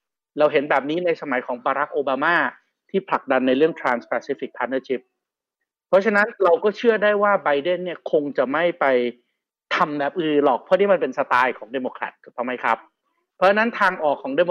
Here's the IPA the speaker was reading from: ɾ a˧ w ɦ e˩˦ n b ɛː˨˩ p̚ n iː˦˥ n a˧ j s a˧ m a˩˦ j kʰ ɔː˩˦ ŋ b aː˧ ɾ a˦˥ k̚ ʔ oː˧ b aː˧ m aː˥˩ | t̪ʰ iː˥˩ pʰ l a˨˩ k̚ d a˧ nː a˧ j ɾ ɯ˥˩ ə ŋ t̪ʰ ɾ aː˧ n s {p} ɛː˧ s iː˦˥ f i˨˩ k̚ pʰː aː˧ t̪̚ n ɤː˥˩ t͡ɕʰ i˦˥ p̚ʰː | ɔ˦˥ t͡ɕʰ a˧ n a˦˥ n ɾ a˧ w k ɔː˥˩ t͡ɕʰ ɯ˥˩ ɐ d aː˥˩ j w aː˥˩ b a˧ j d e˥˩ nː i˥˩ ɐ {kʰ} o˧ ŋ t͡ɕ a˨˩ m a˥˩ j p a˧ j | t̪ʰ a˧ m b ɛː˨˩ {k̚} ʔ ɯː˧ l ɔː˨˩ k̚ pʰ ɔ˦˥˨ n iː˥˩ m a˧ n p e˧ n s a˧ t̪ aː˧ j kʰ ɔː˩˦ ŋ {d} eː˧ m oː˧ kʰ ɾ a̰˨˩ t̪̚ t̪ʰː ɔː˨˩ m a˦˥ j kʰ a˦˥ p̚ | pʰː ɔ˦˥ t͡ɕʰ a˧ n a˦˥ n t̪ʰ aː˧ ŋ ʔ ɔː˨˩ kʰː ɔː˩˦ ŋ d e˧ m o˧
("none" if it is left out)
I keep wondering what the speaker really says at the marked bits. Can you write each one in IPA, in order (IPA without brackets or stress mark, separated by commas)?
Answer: p, kʰ, p̚, d